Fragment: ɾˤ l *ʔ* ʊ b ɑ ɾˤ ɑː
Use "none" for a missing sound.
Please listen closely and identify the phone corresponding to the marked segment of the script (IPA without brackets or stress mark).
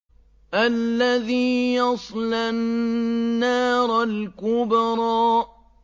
k